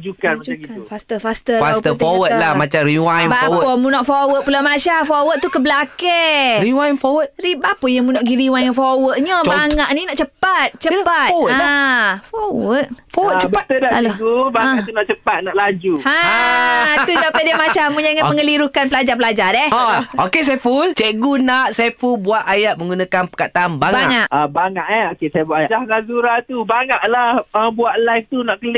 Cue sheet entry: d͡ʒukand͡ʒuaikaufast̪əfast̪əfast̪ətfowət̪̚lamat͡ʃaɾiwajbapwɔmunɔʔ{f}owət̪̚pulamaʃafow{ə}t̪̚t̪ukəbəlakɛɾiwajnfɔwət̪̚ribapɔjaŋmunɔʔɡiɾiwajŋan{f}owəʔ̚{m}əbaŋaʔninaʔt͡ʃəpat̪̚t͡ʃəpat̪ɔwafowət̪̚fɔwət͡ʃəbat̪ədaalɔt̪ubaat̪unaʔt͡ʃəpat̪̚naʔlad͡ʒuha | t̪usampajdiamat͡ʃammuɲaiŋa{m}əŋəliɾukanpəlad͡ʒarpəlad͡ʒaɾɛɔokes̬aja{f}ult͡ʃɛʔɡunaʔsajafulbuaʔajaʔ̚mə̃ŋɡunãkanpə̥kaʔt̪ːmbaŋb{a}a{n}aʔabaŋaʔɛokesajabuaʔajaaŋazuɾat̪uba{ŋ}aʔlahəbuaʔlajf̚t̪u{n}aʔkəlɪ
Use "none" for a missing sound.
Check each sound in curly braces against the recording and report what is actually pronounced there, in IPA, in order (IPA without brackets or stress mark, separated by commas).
f, ə, f, ɲ, m, f, a, ŋ, ŋ, n